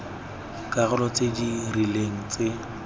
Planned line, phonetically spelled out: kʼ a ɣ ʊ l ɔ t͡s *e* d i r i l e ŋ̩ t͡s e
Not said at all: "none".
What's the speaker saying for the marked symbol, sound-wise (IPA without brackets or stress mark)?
e